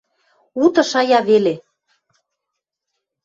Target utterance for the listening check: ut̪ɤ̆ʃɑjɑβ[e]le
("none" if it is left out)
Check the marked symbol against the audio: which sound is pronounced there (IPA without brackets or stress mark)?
e